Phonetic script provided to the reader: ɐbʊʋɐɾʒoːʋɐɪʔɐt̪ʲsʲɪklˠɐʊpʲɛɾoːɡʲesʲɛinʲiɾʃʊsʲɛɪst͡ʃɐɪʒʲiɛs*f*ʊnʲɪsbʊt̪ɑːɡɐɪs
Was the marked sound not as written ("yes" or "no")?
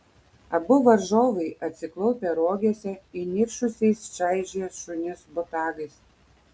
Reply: yes